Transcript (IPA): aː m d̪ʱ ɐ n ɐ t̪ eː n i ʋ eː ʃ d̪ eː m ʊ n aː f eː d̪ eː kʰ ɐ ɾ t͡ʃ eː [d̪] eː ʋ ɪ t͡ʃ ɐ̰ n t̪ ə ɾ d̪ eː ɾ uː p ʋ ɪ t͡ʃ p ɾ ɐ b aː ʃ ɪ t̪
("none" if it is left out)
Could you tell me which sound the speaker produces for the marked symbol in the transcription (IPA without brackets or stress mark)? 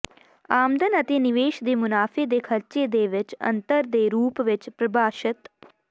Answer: d̪